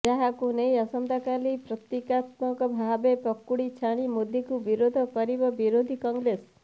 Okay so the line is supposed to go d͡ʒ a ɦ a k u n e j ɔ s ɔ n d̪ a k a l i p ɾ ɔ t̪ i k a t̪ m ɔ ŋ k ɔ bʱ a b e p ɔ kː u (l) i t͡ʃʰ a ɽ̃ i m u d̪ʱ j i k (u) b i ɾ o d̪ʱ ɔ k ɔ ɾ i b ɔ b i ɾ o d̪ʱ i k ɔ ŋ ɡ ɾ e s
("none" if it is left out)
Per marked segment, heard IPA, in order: ɽ, u

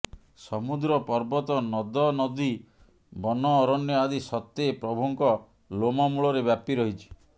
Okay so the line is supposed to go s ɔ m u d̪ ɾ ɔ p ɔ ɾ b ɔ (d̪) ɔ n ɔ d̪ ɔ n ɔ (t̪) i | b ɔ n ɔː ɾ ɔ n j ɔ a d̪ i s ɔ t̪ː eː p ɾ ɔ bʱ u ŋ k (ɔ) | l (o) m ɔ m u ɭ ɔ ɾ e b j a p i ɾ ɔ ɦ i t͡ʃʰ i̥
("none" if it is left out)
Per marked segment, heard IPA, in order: t̪, d̪, ɔ, o

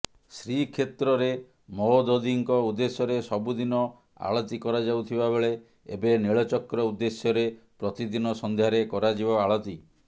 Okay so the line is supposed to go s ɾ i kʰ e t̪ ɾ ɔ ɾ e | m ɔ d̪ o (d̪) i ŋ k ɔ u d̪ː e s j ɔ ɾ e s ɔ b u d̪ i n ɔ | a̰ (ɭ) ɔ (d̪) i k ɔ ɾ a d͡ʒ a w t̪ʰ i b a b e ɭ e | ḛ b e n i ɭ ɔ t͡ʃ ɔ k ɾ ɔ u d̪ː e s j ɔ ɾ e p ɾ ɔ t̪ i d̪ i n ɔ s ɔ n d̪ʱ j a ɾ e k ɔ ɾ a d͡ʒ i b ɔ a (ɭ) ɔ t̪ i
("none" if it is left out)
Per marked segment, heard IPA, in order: d̪, ɭ, t̪, ɭ

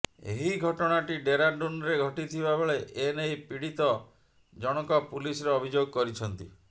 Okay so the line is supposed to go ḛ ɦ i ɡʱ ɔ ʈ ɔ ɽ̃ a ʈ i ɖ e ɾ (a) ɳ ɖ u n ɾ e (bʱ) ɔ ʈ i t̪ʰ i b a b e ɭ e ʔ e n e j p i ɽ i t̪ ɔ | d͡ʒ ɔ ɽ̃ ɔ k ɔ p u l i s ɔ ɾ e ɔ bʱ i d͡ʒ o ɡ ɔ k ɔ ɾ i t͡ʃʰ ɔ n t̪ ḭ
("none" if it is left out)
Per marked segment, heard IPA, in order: a, ɡʱ

